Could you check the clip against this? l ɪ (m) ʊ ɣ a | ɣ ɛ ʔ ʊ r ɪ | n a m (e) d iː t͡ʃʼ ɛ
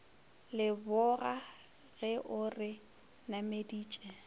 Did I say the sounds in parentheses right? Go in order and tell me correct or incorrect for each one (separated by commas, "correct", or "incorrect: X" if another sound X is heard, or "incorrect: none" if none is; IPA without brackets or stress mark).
incorrect: b, correct